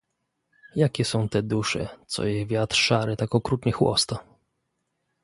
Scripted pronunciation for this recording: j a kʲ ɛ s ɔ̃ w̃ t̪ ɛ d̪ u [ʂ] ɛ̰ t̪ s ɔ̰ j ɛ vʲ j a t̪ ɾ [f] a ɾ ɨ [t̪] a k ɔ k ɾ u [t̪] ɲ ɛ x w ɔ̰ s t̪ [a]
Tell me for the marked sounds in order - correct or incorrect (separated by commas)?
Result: correct, incorrect, correct, correct, correct